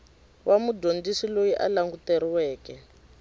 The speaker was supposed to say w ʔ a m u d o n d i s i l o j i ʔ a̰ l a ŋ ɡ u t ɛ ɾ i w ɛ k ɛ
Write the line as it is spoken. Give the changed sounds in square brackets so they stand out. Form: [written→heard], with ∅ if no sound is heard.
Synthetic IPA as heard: w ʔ a m u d o n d i s i l o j i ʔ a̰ l a ŋ ɡ u t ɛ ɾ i w [ɛ→ɛː] k ɛ